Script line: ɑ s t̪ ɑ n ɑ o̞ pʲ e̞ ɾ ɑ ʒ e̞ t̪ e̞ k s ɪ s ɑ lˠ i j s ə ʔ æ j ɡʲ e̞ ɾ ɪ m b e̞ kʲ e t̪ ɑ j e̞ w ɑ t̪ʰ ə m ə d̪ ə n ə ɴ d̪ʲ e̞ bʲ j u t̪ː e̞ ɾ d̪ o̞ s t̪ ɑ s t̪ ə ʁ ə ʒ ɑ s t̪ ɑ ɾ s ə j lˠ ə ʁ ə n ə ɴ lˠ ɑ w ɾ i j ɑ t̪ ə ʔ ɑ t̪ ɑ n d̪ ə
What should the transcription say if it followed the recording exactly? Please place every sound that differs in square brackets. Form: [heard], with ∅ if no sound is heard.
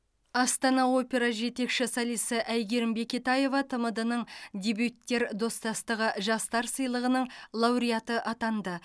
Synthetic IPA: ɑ s t̪ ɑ n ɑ o̞ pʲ e̞ ɾ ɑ ʒ e̞ t̪ e̞ k [ʃ] ɪ s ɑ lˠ i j s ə ʔ æ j ɡʲ e̞ ɾ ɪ m b e̞ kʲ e t̪ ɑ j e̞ [v] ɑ t̪ʰ ə m ə d̪ ə n ə ɴ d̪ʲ e̞ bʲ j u t̪ː e̞ ɾ d̪ o̞ s t̪ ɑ s t̪ ə ʁ ə ʒ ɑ s t̪ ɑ ɾ s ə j lˠ ə ʁ ə n ə ɴ lˠ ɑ w ɾ i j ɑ t̪ ə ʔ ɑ t̪ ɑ n d̪ ə